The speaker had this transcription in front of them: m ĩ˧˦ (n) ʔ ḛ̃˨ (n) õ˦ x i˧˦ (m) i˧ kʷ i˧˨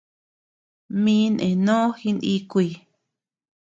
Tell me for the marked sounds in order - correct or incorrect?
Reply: correct, correct, incorrect

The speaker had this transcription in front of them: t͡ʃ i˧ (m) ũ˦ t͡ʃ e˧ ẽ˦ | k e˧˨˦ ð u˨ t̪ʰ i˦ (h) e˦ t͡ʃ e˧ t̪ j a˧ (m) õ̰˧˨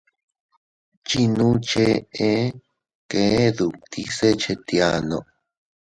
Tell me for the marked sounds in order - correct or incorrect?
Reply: incorrect, incorrect, incorrect

